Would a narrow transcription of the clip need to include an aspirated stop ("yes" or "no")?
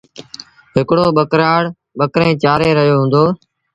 no